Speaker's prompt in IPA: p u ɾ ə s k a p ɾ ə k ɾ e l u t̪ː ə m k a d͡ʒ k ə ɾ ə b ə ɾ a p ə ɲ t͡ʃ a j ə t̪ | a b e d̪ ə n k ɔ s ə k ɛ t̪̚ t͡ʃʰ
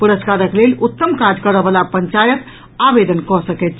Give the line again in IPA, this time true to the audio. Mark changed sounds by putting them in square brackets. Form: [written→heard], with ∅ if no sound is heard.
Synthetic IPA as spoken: p u ɾ ə s k a [p→∅] ɾ ə k [ɾ→l] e l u t̪ː ə m k a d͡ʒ k ə ɾ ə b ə [ɾ→l] a p ə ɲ t͡ʃ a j ə t̪ | a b e d̪ ə n k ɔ s ə k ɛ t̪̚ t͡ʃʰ